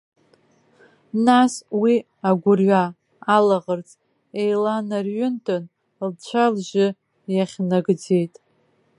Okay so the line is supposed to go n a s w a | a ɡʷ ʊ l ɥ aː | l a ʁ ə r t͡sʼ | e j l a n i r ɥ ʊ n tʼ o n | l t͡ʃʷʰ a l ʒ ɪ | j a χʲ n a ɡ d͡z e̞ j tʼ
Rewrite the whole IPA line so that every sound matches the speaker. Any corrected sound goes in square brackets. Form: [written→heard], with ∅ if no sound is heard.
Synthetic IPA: n a s w [a→i] | a ɡʷ ʊ [l→r] ɥ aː | l a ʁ ə r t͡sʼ | e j l a n [i→a] r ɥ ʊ n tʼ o n | l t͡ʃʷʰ a l ʒ ɪ | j a χʲ n a ɡ d͡z e̞ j tʼ